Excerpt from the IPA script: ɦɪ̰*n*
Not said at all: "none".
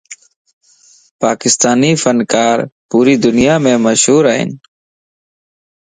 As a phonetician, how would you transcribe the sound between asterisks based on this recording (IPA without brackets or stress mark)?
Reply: n